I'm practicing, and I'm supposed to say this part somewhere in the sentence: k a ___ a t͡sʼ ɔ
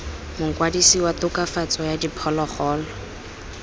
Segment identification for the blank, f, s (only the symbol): f